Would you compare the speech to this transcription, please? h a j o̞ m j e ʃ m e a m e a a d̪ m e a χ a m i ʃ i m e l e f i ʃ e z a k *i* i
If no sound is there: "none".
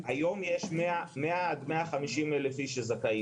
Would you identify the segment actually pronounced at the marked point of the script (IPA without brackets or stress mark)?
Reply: a